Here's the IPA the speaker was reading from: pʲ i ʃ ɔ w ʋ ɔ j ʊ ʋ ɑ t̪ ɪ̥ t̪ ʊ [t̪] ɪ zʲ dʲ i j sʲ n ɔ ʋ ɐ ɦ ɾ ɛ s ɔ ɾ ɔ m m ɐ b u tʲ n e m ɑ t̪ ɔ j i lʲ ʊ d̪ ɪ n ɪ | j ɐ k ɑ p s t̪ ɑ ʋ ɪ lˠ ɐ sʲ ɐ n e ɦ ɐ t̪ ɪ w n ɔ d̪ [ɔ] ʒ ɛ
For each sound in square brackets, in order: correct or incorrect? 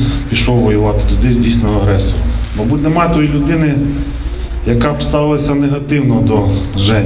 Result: incorrect: d̪, correct

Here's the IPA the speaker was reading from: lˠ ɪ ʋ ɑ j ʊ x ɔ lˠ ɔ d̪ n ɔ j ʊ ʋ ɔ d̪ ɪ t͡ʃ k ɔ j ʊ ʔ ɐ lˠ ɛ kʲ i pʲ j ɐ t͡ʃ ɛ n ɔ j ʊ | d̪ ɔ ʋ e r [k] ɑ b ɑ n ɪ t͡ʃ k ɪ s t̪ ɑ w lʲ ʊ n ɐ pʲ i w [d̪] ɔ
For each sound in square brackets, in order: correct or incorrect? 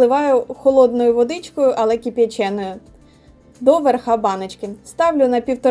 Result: incorrect: x, incorrect: t̪

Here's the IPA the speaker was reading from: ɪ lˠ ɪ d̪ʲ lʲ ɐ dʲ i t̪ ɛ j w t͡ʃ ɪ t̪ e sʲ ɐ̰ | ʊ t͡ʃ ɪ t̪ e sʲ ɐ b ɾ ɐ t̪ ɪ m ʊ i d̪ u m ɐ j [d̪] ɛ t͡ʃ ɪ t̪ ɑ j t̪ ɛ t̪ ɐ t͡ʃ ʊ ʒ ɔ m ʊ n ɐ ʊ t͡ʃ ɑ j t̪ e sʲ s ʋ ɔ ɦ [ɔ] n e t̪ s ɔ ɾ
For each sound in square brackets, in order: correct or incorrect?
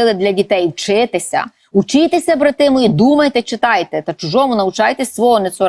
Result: incorrect: t̪, correct

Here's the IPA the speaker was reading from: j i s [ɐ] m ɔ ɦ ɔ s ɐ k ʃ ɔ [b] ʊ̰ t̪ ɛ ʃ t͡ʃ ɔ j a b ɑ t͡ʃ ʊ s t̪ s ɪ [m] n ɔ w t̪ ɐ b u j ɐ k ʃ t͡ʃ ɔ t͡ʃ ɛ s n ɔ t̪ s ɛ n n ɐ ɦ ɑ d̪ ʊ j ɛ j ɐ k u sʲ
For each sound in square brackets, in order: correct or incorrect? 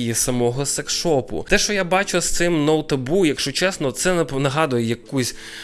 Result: correct, incorrect: p, correct

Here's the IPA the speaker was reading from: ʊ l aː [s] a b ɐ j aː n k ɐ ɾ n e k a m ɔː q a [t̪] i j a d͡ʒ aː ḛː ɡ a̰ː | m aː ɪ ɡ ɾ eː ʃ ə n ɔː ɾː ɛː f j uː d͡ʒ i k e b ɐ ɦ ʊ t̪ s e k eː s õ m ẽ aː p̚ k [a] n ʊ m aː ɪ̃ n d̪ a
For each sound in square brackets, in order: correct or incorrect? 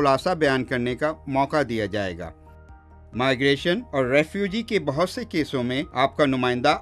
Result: correct, incorrect: d̪, correct

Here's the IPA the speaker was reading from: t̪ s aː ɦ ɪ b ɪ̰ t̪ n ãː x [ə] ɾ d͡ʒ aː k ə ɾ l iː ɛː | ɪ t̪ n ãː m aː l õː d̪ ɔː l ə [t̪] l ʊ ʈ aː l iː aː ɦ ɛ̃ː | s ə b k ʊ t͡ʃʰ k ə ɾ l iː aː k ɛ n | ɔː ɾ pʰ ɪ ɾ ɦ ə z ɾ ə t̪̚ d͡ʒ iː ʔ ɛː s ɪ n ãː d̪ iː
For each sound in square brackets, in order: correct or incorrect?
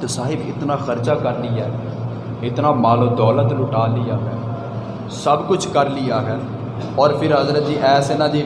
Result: correct, correct

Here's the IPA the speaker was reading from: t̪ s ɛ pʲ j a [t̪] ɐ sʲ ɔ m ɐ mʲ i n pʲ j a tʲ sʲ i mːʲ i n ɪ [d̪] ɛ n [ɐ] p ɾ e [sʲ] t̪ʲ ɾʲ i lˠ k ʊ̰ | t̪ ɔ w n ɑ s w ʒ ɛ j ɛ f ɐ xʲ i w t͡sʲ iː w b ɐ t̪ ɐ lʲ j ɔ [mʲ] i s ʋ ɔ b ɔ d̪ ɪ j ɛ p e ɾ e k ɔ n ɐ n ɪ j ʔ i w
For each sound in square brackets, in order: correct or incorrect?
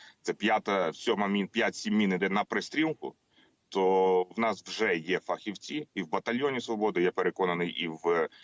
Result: correct, correct, correct, correct, incorrect: nʲ

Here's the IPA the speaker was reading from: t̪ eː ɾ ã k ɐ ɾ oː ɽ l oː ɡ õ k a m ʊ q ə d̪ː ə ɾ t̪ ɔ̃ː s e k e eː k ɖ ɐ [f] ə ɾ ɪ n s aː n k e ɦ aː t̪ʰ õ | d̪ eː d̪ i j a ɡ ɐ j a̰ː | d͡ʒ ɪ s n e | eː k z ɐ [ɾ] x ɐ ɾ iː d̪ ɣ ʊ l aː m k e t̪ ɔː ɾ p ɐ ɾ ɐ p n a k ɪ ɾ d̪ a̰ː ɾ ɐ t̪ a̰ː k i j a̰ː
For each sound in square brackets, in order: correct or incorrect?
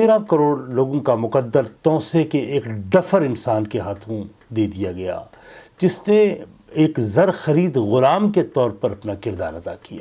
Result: correct, correct

